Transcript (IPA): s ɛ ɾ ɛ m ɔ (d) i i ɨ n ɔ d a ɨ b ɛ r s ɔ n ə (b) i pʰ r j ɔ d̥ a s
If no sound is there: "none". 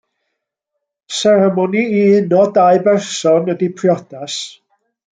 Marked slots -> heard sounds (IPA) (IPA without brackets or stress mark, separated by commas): n, d